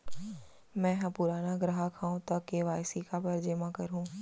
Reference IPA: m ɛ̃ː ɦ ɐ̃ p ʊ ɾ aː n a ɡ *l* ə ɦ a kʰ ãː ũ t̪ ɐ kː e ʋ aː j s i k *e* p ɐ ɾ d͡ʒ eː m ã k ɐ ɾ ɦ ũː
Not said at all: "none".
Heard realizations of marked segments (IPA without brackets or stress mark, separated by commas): ɾ, a